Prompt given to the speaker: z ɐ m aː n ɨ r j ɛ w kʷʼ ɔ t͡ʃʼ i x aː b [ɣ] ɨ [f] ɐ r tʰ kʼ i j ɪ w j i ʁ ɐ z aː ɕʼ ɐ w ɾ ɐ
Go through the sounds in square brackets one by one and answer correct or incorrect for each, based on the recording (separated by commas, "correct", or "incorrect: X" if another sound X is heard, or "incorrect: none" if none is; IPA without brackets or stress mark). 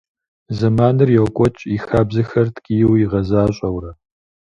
incorrect: z, incorrect: x